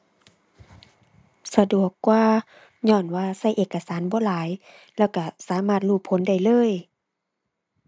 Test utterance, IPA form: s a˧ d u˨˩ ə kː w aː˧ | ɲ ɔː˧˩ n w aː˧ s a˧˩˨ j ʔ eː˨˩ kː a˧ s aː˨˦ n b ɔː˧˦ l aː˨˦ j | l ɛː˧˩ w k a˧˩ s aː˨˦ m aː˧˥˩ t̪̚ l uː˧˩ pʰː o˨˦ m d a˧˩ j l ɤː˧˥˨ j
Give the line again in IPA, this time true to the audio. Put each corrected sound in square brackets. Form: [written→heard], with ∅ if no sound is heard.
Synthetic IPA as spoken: s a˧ d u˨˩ ə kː w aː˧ | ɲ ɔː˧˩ n w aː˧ s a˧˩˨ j ʔ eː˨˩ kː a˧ s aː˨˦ n b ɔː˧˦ l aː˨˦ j | l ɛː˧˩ w k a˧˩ s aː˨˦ m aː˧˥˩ t̪̚ l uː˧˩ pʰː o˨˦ [m→n] d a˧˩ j l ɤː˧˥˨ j